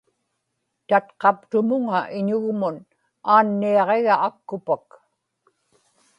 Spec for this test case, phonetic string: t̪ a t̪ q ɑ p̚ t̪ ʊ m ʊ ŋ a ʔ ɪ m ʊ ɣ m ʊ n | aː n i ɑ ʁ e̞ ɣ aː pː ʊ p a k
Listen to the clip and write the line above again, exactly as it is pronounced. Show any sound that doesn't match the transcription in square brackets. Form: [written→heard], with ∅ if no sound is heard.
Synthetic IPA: t̪ a t̪ q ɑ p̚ t̪ ʊ m ʊ ŋ a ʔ ɪ [m→ɲ] ʊ ɣ m ʊ n | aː [n→nː] i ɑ ʁ e̞ ɣ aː [pː→kː] ʊ p a k